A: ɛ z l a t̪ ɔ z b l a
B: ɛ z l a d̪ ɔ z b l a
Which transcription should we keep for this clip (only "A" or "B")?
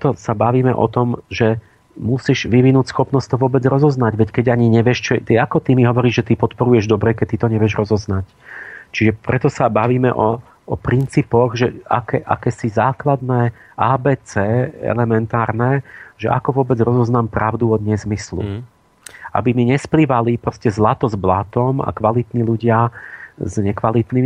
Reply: A